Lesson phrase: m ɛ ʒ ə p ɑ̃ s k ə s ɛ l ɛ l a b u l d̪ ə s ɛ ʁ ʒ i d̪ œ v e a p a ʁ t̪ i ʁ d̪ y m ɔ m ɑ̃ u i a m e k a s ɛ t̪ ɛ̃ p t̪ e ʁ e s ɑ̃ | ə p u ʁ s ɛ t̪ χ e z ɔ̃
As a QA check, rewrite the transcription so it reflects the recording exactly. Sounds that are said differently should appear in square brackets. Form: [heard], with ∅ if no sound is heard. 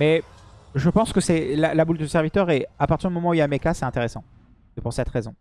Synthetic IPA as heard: m ɛ ʒ ə p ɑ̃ s k ə s ɛ l [a] l a b u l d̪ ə s ɛ ʁ [v] i [t̪] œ [ʁ] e a p a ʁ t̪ i ʁ d̪ y m ɔ m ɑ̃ u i a m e k a s ɛ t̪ ɛ̃ [∅] t̪ e ʁ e s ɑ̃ | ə p u ʁ s ɛ t̪ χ e z ɔ̃